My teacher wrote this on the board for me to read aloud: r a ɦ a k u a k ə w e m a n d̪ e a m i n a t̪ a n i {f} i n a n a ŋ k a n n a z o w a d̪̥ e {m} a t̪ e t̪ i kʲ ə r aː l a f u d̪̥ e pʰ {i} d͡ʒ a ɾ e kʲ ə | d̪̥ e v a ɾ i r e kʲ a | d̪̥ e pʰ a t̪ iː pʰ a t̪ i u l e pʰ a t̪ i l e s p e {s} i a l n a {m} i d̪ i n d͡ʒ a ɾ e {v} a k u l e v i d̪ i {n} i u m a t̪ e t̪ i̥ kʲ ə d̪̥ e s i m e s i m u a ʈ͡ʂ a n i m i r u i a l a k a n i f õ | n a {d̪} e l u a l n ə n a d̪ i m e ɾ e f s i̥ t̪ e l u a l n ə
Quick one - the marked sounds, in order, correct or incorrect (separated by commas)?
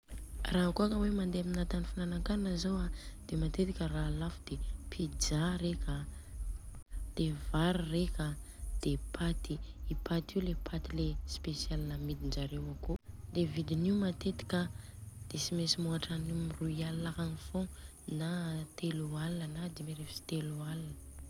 correct, correct, correct, correct, correct, incorrect, correct, incorrect